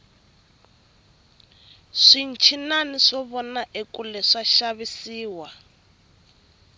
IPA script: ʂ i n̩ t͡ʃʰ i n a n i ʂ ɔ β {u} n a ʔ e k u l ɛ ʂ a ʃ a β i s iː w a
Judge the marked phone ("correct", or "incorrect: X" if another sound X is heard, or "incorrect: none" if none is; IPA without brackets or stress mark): incorrect: ɔ